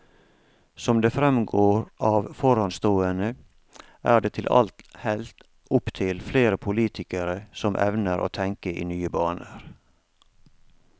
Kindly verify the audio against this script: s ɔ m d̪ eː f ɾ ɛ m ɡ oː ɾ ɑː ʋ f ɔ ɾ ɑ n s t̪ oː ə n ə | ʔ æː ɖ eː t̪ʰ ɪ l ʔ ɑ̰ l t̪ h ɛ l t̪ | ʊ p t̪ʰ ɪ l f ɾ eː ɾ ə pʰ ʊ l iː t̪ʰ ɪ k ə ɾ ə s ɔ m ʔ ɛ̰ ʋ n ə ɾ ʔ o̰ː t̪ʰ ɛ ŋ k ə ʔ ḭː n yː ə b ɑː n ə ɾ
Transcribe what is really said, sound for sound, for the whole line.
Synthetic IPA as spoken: s ɔ m d̪ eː f ɾ ɛ m ɡ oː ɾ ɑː ʋ f ɔ ɾ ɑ n s t̪ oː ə n ə | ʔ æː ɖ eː t̪ʰ ɪ l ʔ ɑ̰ l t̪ h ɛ l t̪ | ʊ p t̪ʰ ɪ l f l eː ɾ ə pʰ ʊ l iː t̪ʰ ɪ k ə ɾ ə s ɔ m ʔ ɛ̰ ʋ n ə ɾ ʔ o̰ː t̪ʰ ɛ ŋ k ə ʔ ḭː n yː ə b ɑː n ə ɾ

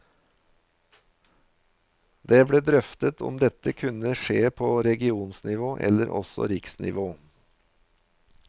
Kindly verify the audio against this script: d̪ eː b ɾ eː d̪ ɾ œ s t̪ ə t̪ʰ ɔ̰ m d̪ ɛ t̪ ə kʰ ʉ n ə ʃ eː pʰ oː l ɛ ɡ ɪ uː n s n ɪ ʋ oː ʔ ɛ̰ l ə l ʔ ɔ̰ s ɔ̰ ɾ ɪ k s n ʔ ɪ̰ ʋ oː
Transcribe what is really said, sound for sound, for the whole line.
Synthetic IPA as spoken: d̪ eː b ɽ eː d̪ ɾ œ f t̪ ə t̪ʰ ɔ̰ m d̪ ɛ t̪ ə kʰ ʉ n ə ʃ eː pʰ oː ɾ ɛ ɡ ɪ uː n s n ɪ ʋ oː ʔ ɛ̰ l ə ɾ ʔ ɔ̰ s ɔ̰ ɾ ɪ k s n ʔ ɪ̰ ʋ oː

